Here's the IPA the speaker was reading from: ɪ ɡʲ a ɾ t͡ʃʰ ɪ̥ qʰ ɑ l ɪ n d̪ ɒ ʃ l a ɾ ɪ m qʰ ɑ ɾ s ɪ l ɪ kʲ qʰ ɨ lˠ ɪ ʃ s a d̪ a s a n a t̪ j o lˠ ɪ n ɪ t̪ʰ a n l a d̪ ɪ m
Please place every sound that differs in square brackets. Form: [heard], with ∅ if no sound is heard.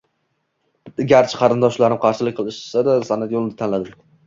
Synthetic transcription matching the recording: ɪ ɡʲ a ɾ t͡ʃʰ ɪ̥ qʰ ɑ [ɾ] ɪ n d̪ ɒ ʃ l a ɾ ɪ m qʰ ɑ ɾ [ʃ] ɪ l ɪ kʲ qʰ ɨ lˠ ɪ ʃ s a d̪ a s a n a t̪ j o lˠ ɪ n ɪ t̪ʰ a n l a d̪ ɪ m